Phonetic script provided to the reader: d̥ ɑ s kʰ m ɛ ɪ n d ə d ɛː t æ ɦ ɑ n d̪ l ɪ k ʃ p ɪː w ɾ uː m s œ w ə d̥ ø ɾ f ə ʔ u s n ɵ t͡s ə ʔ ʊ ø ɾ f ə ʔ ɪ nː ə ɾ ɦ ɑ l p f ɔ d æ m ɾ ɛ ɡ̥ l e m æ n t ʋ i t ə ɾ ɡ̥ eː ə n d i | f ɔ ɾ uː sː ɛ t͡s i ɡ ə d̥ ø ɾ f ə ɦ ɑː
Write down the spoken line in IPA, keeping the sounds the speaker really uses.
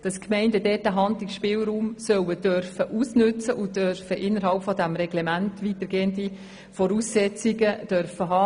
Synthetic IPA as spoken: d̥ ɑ s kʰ m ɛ ɪ n d ə d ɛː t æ ɦ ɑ n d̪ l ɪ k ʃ p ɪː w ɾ uː m s œ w ə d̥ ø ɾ f ə ʔ u s n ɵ t͡s ə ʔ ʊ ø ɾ f ə ʔ ɪ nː ə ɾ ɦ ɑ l p f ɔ d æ m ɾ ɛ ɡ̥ l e m æ n t ʋ i t ə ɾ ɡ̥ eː ə n d i | f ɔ ɾ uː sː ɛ t͡s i ɡ ə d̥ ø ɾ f ə ɦ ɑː